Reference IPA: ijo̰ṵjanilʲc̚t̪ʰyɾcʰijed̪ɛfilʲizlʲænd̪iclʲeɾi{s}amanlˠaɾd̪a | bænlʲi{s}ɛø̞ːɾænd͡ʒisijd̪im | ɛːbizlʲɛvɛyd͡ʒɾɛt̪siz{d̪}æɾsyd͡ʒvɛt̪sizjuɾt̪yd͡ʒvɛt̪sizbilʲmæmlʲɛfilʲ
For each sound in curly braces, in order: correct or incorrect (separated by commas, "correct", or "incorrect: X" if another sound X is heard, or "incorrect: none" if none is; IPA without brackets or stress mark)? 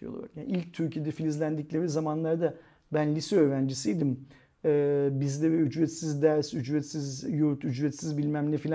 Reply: incorrect: z, correct, correct